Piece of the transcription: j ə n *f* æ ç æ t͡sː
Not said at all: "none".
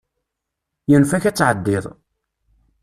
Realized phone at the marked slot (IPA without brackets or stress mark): f